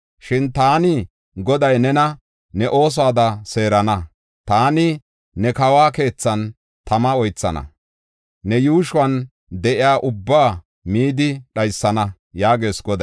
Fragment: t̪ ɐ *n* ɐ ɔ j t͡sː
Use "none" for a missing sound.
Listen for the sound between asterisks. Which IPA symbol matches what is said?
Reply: m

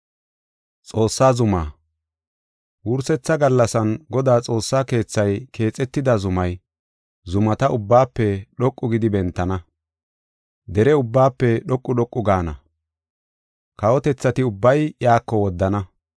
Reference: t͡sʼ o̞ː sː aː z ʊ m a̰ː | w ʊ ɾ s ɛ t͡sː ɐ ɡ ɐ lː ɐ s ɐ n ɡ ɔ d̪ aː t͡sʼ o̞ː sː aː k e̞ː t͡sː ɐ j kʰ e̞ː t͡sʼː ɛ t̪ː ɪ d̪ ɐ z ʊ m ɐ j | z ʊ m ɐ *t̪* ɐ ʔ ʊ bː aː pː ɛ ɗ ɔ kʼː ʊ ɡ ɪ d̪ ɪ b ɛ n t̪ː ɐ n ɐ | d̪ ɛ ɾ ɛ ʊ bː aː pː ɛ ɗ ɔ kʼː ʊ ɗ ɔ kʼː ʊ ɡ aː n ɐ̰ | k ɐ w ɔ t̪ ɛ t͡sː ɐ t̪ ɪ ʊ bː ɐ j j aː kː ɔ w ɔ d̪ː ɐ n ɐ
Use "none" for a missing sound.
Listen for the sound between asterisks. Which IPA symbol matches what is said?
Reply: t̪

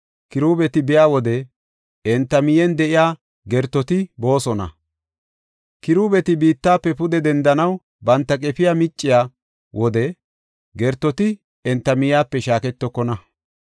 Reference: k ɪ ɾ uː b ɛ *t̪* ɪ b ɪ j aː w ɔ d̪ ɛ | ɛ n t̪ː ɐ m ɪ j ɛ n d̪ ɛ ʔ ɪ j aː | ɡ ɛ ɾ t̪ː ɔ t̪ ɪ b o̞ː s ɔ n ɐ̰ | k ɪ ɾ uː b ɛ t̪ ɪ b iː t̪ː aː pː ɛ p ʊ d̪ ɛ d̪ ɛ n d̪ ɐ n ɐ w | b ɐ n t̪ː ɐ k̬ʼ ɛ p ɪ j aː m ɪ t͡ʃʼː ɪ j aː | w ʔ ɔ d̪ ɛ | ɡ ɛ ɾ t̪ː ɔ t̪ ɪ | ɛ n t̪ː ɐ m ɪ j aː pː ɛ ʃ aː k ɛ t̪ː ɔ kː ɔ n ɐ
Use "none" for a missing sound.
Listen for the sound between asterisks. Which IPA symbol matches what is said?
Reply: t̪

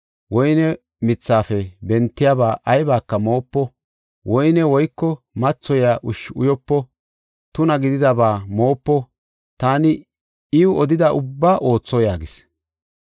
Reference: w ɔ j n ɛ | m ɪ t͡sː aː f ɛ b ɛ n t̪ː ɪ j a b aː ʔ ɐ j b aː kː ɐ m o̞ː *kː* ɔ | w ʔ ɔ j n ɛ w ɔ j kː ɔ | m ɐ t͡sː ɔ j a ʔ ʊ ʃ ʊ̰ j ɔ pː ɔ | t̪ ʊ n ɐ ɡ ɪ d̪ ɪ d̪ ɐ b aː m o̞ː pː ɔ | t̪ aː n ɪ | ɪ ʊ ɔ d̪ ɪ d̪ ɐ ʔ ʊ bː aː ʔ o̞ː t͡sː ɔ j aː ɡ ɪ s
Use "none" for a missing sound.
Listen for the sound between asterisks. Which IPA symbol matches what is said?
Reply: pː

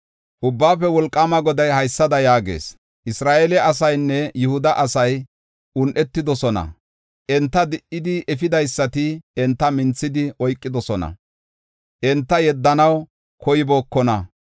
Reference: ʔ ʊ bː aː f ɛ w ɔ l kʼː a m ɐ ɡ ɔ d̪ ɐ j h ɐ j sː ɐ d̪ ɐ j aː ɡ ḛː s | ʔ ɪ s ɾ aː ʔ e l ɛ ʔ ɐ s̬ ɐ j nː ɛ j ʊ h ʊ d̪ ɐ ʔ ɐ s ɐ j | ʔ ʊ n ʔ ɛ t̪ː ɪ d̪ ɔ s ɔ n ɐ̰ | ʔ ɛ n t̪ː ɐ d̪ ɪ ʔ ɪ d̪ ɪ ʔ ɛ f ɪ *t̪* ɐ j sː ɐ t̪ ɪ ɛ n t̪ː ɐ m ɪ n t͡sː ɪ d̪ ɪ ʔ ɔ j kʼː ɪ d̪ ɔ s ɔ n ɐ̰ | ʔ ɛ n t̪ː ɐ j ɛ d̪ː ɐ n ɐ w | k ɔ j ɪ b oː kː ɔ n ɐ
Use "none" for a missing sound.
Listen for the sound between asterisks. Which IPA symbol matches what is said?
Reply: d̪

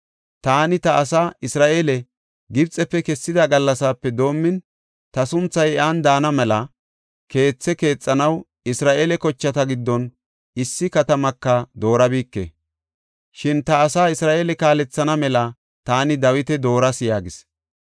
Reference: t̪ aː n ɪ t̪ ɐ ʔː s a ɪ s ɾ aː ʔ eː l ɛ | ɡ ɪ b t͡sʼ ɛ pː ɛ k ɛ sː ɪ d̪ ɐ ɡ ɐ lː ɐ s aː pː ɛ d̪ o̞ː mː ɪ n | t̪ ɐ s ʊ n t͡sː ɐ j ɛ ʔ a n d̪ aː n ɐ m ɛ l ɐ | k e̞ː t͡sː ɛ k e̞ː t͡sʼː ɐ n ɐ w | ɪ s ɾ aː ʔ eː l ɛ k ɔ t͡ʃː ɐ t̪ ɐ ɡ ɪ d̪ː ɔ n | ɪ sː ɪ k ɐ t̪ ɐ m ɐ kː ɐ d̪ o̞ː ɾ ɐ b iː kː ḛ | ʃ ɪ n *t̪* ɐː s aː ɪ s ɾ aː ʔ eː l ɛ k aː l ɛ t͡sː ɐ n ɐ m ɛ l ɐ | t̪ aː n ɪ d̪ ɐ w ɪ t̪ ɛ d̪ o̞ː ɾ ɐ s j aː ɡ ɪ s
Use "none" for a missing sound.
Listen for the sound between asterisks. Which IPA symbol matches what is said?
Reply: t̪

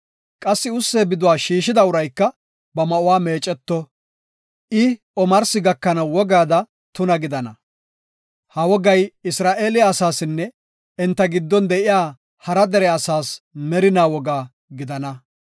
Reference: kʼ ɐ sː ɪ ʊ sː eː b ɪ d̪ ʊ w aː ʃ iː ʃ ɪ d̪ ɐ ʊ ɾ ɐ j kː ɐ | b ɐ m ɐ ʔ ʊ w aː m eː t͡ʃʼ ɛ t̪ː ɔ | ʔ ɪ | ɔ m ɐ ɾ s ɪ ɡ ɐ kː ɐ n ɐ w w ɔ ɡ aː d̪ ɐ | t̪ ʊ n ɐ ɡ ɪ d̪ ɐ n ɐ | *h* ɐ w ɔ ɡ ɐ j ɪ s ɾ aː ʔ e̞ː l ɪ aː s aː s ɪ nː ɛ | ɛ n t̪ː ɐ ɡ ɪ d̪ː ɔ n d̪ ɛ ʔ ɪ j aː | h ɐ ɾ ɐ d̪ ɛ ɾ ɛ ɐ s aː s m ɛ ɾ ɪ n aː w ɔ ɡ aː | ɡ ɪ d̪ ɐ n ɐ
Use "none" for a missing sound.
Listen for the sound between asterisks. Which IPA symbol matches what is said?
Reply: h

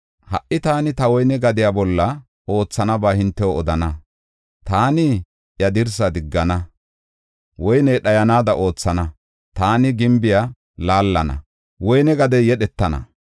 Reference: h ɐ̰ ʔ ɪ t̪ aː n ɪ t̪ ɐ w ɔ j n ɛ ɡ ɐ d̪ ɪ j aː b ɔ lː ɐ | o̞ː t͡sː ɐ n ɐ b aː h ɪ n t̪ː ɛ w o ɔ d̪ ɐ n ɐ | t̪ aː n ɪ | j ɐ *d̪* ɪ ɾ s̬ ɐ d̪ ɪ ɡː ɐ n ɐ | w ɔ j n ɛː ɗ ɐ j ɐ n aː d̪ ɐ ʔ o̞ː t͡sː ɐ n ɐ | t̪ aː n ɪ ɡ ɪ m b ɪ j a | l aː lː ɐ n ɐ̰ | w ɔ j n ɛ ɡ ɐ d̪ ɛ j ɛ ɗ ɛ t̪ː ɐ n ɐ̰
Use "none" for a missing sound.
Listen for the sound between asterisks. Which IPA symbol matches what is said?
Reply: d̪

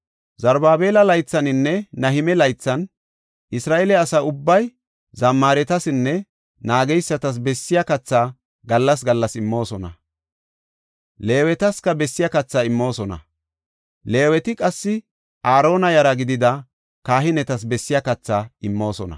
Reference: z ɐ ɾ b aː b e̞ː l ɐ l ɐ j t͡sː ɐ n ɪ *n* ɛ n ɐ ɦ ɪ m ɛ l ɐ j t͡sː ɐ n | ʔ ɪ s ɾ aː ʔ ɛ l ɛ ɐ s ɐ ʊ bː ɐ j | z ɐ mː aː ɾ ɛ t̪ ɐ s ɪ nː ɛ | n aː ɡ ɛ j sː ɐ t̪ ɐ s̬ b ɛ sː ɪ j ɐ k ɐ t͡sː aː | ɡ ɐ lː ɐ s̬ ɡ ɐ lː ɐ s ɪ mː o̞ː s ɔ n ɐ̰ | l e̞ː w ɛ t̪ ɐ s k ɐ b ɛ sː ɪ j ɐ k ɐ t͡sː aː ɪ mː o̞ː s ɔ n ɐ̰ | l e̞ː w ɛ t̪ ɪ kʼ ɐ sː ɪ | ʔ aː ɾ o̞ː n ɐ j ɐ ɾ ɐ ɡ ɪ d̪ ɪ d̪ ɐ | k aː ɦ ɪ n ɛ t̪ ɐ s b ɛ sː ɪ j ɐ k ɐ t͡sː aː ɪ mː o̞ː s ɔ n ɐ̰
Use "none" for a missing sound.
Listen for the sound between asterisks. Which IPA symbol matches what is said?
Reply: nː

